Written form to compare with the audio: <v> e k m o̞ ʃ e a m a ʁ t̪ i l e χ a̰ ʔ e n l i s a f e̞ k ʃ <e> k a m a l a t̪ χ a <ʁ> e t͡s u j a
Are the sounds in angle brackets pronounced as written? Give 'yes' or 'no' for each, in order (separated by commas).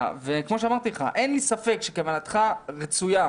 yes, yes, yes